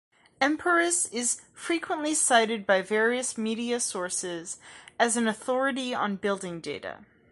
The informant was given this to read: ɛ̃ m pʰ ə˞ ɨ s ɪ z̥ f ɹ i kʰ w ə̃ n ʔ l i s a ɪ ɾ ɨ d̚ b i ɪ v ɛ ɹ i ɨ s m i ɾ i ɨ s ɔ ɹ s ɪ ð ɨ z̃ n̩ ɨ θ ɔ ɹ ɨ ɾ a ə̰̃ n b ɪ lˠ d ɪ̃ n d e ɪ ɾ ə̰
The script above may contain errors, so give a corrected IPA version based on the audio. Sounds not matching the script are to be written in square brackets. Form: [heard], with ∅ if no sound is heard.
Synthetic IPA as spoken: ɛ̃ m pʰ ə˞ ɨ s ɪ z̥ f ɹ i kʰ w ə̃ n ʔ l i s a ɪ ɾ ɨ d̚ b [a] ɪ v ɛ ɹ i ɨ s m i ɾ i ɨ s ɔ ɹ s ɪ [z] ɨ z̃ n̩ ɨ θ ɔ ɹ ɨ ɾ [i] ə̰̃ n b ɪ lˠ d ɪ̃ [ŋ] d e ɪ ɾ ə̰